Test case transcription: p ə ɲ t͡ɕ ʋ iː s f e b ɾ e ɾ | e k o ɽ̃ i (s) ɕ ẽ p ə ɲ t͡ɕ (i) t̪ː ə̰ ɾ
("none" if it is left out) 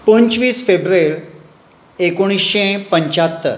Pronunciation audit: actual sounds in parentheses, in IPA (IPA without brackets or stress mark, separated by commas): s, a